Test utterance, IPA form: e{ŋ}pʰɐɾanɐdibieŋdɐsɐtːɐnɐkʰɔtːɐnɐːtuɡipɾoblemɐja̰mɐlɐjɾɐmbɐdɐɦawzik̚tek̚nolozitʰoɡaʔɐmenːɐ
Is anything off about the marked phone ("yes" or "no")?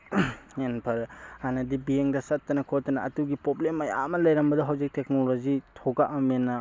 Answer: yes